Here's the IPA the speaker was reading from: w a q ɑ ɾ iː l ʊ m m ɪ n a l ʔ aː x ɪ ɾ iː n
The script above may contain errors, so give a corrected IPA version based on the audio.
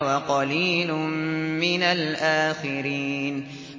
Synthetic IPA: w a q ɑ l iː l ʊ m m ɪ n a l ʔ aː x ɪ ɾ iː n

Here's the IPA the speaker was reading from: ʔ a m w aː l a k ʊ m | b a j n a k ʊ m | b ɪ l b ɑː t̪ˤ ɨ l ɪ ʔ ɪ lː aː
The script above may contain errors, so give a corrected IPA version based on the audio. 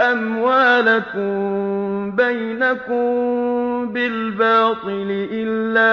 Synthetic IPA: ʔ a m w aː l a k ʊ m | b a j n a k ʊ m | b ɪ l b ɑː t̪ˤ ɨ l ɪ ʔ ɪ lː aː

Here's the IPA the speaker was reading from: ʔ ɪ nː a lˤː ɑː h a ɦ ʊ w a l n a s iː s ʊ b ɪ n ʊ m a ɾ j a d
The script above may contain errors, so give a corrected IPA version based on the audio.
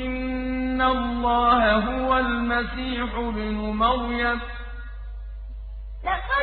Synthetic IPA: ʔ ɪ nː a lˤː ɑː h a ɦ ʊ w a l m a s iː ħ ʊ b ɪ n ʊ m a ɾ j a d

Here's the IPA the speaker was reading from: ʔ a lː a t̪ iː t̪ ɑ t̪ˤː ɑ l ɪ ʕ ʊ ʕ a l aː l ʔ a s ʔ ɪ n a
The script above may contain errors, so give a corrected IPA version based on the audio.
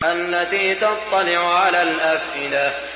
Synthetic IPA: ʔ a lː a t̪ iː t̪ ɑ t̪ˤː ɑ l ɪ ʕ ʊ ʕ a l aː l ʔ a f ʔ ɪ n a

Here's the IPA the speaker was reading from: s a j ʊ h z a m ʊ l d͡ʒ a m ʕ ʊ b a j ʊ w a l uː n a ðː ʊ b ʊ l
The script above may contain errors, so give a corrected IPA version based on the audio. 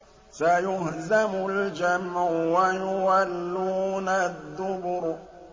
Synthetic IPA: s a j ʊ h z a m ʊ l d͡ʒ a m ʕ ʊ w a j ʊ w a lː uː n a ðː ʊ b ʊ ɾ

